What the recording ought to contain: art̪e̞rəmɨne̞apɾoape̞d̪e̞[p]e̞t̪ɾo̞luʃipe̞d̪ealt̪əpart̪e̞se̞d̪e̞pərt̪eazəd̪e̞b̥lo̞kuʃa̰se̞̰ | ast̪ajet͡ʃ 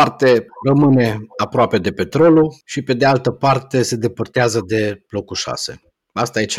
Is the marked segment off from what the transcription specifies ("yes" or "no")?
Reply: no